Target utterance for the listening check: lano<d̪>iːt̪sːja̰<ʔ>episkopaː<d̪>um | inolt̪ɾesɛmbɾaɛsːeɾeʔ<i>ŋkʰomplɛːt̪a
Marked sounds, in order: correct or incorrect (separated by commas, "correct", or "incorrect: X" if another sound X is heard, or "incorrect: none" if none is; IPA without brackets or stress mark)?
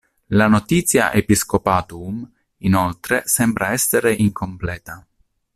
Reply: incorrect: t̪, correct, incorrect: t̪, correct